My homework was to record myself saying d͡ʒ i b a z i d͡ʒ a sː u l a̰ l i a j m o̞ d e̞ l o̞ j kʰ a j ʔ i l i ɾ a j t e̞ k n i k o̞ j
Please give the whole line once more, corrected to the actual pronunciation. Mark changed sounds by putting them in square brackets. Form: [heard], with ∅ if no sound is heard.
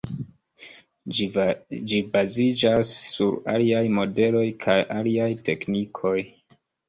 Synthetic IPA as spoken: d͡ʒ i b a z i d͡ʒ a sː u [ɾ] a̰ l i a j m o̞ d e̞ l o̞ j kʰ a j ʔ [a] l i [∅] a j t e̞ k n i [kʰ] o̞ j